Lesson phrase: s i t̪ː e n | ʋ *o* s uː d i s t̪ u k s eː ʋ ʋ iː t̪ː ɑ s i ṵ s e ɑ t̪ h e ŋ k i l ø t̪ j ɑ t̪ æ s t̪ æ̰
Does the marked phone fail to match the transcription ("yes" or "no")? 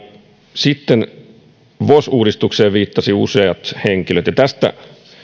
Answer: no